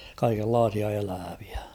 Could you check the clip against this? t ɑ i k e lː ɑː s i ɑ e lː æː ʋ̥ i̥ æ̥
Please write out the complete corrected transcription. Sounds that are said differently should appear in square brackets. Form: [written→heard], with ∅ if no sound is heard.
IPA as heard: [t→k] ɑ i k e lː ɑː s i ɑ e [lː→l] æː ʋ̥ i̥ æ̥